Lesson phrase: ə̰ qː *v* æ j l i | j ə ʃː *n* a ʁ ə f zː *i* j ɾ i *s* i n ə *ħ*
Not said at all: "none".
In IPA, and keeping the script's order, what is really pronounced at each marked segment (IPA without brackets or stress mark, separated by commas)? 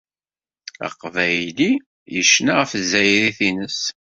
v, n, æ, θ, s